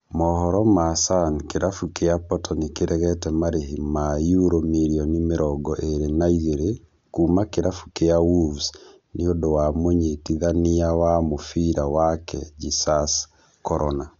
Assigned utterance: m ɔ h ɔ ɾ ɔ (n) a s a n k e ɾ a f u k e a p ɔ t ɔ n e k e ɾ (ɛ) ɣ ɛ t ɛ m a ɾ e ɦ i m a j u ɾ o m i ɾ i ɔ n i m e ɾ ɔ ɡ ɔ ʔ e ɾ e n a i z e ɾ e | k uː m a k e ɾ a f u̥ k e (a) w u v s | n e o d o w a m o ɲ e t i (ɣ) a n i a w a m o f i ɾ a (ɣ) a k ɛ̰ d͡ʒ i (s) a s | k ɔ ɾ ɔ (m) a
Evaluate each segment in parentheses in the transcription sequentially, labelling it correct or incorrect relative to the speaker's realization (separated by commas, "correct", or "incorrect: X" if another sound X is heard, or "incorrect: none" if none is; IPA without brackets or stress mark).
incorrect: m, correct, correct, incorrect: ð, incorrect: w, correct, incorrect: n